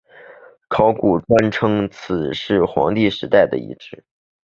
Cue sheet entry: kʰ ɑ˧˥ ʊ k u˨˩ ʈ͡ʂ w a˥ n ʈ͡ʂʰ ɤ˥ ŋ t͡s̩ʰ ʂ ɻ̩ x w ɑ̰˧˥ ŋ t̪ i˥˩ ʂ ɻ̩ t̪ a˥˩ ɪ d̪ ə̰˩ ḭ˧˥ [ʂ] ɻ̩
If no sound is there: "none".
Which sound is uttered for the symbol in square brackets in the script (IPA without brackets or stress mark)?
ʈ͡ʂ